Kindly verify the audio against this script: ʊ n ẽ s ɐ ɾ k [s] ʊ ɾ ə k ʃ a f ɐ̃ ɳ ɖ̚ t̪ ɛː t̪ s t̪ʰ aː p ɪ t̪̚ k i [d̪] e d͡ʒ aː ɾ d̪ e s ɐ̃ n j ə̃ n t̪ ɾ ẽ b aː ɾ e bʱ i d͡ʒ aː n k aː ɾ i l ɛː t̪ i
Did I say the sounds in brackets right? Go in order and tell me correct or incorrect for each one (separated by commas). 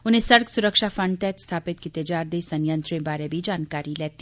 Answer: correct, incorrect